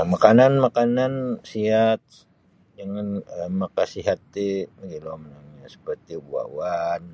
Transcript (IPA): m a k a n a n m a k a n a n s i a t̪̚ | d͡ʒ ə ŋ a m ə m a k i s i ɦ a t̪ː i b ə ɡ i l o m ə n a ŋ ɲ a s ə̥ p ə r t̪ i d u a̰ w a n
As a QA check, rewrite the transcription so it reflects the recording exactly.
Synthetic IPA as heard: m a k a n a n m a k a n a n s i a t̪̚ | d͡ʒ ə ŋ a n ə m a k a s i ɦ a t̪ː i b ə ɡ i l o m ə n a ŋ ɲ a s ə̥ p ə r t̪ i b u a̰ w a n